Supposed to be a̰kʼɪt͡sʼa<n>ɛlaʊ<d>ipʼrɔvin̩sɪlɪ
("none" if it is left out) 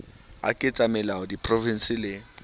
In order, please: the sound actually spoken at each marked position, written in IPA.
m, d

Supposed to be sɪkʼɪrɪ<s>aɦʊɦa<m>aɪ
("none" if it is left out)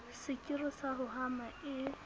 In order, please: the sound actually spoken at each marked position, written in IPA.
s, m

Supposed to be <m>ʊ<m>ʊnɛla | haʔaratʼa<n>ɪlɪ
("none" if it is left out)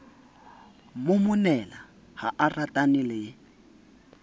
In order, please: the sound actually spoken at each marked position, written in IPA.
m, m, n

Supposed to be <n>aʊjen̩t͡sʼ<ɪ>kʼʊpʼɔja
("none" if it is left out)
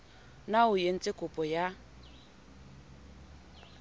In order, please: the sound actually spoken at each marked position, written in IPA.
n, ɪ

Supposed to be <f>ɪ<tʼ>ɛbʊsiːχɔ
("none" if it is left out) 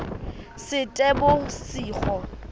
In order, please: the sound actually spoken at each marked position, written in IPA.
s, tʼ

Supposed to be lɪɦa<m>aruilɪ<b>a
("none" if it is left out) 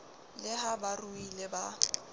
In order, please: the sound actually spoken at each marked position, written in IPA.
b, b

